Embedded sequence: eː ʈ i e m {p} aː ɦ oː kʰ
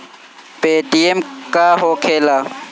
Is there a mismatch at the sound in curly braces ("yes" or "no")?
yes